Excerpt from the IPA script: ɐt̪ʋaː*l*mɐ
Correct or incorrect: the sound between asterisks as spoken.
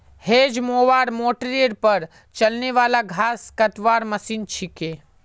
incorrect: ɾ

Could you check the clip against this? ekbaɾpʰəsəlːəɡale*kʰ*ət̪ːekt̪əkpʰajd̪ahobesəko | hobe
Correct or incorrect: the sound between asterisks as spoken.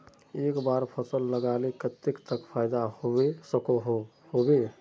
incorrect: k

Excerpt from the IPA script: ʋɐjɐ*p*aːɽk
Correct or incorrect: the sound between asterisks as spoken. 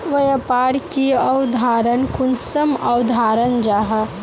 correct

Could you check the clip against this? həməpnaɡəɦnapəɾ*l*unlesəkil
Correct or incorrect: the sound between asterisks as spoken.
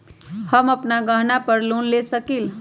correct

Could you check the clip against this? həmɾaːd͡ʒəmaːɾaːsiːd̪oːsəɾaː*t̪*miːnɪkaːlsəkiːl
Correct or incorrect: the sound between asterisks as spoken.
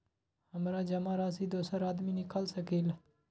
incorrect: d̪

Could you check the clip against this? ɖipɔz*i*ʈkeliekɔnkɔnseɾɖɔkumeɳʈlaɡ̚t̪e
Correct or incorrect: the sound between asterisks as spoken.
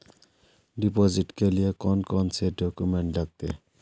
correct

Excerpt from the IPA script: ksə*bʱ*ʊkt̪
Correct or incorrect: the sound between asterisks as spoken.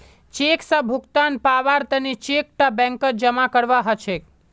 correct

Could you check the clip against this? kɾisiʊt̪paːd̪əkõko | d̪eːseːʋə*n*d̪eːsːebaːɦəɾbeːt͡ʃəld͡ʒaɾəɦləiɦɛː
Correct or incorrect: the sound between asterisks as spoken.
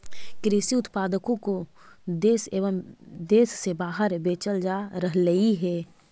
incorrect: m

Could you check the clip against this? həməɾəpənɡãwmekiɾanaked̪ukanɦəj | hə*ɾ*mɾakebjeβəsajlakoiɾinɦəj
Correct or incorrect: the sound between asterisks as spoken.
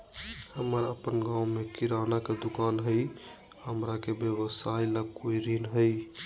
incorrect: none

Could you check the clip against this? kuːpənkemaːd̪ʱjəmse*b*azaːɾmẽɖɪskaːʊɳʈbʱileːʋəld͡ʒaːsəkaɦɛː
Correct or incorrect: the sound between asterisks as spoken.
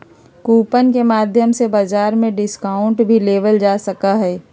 correct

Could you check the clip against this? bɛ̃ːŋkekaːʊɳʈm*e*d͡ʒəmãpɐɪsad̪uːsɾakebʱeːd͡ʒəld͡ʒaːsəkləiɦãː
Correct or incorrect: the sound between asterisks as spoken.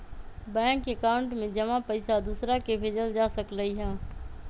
incorrect: ẽ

